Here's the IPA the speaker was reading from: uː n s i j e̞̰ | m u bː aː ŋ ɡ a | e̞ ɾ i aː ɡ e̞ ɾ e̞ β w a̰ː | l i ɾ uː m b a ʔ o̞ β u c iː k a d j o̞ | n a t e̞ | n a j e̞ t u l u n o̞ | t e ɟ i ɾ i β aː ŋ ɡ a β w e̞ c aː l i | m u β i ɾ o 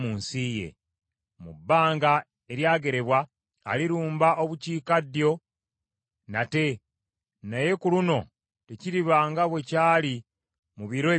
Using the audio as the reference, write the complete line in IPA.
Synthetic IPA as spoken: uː n s i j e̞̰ | m u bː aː ŋ ɡ a | e̞ ɾ j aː ɡ e̞ ɾ e̞ β w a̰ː | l i ɾ uː m b a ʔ o̞ β u c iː k a d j o̞ | n a t e̞ | n a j e̞ k u l u n o̞ | t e c i ɾ i β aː ŋ ɡ a β w e̞ c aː l i | m u β i ɾ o